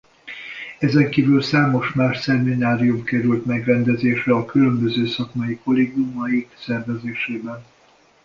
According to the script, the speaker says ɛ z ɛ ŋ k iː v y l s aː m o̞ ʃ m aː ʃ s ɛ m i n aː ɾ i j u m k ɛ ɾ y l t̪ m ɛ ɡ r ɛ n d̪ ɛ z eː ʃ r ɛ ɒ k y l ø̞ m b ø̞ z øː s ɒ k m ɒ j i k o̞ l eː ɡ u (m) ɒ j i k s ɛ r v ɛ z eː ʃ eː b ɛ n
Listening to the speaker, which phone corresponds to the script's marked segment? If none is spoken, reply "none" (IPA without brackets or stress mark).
m